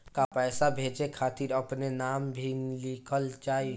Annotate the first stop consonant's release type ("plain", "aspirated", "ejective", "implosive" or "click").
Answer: plain